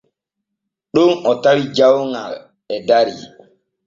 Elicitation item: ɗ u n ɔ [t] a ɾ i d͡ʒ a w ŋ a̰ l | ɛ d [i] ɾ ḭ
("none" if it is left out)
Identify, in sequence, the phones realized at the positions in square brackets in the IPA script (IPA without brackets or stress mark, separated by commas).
t, a